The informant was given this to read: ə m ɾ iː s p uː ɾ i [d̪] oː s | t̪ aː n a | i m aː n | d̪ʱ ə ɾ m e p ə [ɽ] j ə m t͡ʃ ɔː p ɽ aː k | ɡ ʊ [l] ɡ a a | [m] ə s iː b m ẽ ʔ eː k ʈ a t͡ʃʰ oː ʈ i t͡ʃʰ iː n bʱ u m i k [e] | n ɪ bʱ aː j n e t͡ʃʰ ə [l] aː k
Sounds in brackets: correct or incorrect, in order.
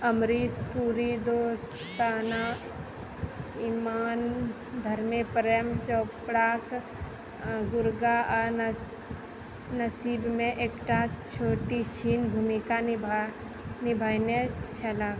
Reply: correct, incorrect, incorrect, incorrect, incorrect, correct

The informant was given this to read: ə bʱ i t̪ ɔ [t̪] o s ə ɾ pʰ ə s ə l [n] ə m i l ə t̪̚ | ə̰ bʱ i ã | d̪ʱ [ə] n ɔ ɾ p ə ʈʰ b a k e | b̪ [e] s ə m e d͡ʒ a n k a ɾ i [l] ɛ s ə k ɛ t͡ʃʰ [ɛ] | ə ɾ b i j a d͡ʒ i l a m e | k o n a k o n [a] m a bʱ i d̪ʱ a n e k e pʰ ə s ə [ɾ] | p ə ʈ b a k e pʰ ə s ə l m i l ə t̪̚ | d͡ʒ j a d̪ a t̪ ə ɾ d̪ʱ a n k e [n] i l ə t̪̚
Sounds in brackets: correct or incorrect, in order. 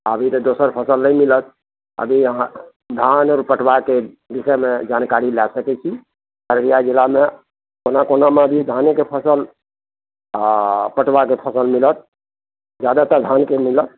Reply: incorrect, correct, incorrect, incorrect, correct, incorrect, correct, incorrect, incorrect

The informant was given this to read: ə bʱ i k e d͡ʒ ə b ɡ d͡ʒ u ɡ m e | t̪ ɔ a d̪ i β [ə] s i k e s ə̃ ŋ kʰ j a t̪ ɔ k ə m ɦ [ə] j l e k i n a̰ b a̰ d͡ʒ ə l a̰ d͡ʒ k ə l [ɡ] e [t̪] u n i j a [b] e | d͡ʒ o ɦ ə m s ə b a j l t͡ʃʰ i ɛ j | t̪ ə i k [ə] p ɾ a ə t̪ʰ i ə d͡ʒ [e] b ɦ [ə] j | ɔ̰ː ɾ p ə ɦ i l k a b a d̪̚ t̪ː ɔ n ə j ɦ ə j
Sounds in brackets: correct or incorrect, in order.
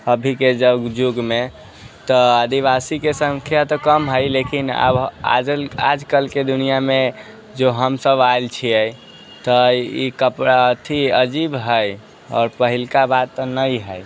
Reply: incorrect, correct, incorrect, incorrect, incorrect, correct, incorrect, correct

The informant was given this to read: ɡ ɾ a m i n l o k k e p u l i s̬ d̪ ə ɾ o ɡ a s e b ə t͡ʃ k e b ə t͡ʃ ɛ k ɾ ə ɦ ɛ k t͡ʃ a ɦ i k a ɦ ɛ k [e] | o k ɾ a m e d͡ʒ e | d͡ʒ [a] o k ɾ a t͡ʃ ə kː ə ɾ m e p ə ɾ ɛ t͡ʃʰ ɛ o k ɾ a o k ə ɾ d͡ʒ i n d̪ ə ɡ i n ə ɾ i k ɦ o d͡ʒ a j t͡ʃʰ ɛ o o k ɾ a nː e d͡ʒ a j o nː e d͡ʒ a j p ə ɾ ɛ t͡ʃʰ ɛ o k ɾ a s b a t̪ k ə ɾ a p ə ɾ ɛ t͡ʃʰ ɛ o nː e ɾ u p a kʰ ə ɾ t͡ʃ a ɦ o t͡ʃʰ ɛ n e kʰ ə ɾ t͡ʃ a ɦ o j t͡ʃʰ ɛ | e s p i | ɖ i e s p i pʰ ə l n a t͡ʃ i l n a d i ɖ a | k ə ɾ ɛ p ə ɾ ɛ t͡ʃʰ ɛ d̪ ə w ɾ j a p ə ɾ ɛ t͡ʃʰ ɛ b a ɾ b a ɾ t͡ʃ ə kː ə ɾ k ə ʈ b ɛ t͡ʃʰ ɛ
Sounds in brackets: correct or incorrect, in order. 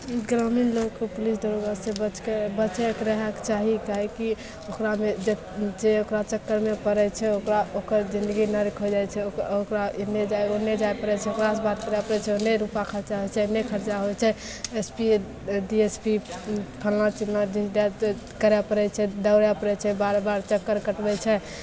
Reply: incorrect, incorrect

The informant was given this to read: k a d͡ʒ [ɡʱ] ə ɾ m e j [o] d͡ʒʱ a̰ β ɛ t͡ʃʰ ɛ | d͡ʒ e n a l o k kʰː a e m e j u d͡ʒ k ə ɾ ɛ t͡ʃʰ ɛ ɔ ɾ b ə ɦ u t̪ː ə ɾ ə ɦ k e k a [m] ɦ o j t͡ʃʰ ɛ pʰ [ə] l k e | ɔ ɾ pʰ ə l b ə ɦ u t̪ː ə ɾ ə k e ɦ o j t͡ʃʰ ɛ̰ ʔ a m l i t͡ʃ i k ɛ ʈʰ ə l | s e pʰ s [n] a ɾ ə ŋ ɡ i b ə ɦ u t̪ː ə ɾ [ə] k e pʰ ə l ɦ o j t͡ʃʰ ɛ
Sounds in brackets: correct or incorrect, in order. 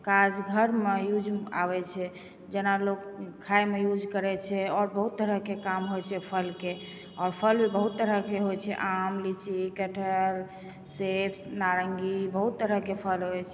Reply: correct, incorrect, correct, correct, correct, correct

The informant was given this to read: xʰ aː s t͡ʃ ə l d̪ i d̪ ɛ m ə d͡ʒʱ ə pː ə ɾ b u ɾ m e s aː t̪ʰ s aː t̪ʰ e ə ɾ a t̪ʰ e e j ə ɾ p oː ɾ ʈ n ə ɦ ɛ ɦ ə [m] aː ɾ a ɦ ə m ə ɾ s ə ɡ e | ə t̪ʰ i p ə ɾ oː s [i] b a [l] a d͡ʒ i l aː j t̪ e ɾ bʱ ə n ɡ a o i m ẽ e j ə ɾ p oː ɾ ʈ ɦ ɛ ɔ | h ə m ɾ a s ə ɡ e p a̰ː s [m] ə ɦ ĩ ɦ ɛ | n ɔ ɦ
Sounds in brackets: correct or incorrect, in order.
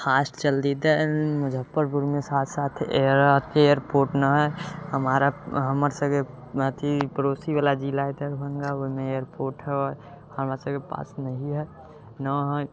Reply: correct, correct, correct, incorrect

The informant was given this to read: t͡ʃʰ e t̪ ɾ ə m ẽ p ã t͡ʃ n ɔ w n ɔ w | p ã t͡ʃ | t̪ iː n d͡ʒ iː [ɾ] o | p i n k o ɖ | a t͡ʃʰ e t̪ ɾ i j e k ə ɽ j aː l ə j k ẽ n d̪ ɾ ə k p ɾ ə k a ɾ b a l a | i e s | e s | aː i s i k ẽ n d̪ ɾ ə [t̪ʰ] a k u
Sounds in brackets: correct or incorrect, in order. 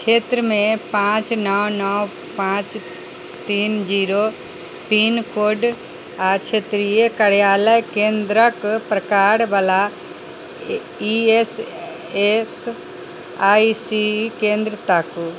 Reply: correct, incorrect

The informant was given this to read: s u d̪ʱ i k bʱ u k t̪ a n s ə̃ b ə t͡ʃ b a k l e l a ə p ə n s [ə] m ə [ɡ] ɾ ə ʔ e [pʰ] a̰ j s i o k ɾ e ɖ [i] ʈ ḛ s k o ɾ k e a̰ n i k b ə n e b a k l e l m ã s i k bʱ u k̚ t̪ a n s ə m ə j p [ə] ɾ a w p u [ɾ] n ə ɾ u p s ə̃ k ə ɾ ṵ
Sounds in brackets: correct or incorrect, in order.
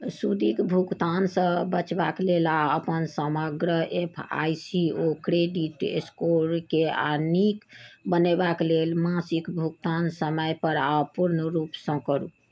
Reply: correct, correct, correct, correct, correct, correct

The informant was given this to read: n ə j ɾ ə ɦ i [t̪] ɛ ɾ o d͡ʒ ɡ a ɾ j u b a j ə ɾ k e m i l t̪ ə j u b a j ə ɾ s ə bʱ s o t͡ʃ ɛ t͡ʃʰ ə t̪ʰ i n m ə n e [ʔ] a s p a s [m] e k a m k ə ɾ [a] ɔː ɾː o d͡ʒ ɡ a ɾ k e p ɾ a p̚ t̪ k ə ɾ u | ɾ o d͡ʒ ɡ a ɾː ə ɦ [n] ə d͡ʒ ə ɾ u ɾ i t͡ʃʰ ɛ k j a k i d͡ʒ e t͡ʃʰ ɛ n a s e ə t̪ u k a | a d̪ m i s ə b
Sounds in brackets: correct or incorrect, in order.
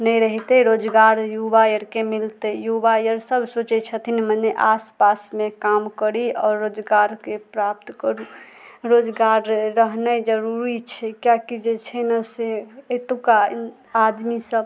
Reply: correct, correct, correct, incorrect, correct

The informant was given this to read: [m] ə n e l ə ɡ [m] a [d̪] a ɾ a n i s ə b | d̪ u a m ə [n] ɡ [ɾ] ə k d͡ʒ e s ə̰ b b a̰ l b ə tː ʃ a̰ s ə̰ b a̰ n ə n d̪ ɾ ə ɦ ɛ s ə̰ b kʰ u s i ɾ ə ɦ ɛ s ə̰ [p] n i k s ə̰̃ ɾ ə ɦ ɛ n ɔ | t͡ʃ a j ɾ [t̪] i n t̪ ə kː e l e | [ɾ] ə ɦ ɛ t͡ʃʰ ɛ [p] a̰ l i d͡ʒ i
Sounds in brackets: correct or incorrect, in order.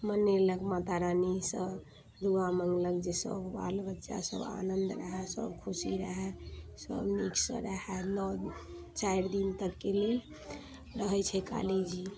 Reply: correct, correct, incorrect, incorrect, incorrect, incorrect, incorrect, correct, incorrect

